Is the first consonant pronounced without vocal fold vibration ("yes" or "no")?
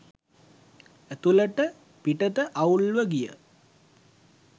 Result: yes